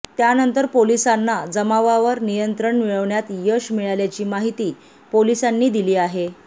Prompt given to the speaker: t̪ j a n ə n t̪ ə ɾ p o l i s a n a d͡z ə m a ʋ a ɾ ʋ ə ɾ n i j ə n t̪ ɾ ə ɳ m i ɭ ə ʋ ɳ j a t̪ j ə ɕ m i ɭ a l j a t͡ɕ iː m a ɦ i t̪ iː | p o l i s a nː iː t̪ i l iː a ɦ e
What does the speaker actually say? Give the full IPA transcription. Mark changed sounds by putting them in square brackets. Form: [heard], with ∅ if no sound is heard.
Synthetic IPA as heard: t̪ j a n ə n t̪ ə ɾ p o l i s a [nː] a d͡z ə m a ʋ a [∅] ʋ ə ɾ n i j ə n t̪ ɾ ə ɳ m i ɭ ə ʋ ɳ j a t̪ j ə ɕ m i ɭ a l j a t͡ɕ iː m a ɦ i t̪ iː | p o l i s a nː iː [d̪] i l iː a ɦ e